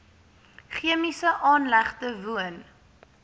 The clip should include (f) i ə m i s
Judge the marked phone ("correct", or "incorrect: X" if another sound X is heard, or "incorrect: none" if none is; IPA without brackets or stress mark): incorrect: χ